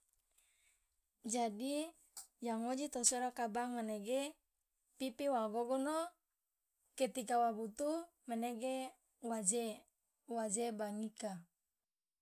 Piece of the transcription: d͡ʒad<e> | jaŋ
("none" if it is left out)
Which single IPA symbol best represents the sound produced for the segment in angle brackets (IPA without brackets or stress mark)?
i